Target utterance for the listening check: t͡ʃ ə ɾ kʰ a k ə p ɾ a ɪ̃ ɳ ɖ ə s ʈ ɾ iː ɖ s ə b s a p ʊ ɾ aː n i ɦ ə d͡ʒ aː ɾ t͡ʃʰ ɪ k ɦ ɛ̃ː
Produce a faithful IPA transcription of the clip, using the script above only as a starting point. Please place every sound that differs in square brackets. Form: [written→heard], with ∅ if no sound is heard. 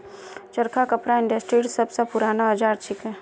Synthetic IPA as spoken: t͡ʃ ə ɾ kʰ a k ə p ɾ a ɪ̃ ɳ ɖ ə s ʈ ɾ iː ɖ s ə b s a p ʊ ɾ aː n [i→a] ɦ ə d͡ʒ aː ɾ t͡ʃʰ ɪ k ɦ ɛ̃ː